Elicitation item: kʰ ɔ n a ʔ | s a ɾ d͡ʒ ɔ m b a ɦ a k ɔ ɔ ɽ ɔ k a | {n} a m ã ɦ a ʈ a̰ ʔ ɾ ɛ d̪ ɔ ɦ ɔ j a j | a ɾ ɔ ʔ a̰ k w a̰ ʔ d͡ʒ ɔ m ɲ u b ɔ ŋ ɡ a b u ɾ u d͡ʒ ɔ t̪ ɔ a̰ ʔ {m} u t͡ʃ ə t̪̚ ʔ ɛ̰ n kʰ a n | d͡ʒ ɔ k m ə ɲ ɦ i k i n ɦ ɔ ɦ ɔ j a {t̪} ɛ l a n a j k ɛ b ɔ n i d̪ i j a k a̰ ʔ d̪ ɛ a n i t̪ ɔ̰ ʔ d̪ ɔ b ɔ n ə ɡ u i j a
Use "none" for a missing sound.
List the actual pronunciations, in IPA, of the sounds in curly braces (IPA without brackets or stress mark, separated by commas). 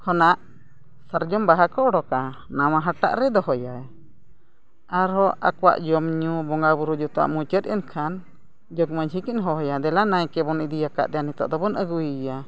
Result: n, m, d̪